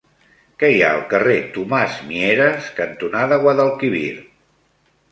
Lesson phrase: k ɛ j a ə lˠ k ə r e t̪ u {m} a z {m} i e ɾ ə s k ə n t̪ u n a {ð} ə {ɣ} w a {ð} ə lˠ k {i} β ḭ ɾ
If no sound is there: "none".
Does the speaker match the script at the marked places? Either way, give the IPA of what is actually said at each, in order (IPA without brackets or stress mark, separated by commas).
m, m, ð, ɣ, ð, i